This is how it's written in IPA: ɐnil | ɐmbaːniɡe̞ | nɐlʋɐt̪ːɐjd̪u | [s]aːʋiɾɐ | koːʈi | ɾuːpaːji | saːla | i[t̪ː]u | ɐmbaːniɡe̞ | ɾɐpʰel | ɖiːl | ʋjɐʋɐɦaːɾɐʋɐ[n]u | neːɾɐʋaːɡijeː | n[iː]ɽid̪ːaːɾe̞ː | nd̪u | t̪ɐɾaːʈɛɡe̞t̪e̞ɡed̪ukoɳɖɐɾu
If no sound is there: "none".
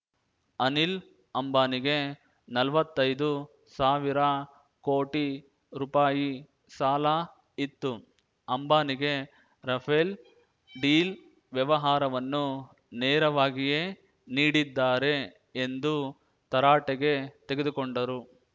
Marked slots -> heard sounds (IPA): s, t̪ː, nː, iː

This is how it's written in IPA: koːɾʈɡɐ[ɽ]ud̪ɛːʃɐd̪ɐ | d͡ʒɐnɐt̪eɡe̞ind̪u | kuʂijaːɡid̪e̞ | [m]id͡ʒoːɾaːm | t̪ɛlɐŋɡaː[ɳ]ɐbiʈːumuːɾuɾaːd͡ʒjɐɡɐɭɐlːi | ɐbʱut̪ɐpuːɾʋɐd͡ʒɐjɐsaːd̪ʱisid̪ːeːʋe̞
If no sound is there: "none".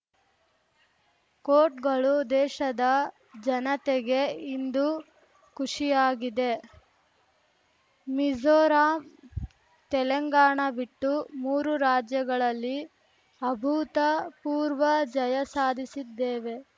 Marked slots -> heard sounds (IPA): ɭ, m, ɳ

